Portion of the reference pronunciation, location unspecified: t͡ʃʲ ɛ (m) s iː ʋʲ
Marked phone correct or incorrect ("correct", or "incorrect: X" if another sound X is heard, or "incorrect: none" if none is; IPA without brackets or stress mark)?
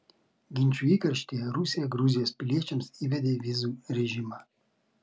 correct